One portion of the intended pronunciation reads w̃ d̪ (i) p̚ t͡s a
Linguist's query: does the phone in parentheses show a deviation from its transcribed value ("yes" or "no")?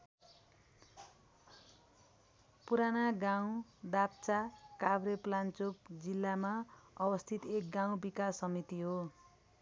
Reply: yes